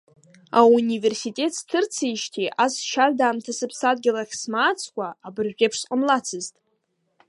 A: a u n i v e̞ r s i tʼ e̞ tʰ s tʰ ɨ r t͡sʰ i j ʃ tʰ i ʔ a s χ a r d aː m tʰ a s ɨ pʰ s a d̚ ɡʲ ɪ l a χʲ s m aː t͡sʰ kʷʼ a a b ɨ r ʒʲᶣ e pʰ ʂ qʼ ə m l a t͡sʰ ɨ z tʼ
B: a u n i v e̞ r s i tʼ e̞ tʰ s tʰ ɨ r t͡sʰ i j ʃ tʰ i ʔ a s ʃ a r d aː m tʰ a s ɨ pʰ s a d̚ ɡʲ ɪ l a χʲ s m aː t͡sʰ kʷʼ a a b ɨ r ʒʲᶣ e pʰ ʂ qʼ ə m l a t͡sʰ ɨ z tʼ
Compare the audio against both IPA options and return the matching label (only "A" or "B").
B